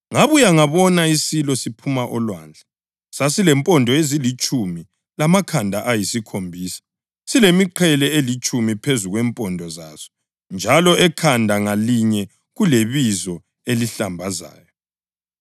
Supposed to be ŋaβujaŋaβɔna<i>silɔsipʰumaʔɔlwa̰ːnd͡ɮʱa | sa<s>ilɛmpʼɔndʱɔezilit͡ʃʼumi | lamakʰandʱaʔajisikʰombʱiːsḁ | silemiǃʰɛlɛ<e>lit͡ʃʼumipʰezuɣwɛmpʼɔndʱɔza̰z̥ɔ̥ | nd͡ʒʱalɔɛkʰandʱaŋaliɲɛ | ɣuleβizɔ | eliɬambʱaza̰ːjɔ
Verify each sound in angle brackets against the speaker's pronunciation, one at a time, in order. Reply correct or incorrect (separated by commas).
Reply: correct, correct, correct